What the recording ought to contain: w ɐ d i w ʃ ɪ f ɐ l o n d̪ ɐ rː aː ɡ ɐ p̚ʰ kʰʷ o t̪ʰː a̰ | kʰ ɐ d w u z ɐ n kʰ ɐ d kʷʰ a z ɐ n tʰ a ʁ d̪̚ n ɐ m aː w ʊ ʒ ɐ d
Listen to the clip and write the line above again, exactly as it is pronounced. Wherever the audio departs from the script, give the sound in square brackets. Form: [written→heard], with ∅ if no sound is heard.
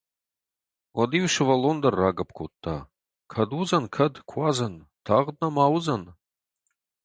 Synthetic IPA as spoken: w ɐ d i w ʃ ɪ [f→v] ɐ l o n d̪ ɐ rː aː ɡ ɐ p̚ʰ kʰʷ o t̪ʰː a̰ | kʰ ɐ d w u z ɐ n kʰ ɐ d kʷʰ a z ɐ n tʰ a ʁ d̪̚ n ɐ m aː w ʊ [ʒ→z] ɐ [d→n]